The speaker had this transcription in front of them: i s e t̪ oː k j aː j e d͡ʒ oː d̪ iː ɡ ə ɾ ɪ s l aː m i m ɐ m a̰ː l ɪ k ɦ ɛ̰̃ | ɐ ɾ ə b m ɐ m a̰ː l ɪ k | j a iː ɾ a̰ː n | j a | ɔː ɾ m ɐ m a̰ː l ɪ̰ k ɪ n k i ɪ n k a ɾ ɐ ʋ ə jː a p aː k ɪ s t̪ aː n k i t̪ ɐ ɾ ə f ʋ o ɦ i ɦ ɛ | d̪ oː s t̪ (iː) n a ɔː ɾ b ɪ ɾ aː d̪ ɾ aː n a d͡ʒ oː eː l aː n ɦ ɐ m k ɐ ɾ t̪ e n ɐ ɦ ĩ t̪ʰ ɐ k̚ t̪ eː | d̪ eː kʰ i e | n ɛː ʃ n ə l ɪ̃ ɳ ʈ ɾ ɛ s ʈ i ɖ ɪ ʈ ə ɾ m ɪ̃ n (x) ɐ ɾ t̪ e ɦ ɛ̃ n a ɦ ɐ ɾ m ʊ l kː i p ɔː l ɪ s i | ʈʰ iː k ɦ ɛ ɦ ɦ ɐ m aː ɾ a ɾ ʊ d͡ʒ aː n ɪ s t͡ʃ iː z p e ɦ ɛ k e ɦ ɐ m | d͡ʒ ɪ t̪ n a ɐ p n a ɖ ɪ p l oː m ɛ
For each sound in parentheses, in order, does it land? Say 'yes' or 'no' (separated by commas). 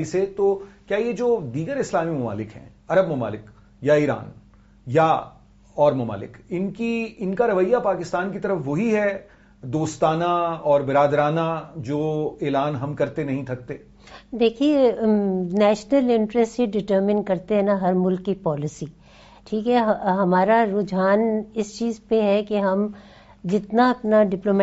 no, no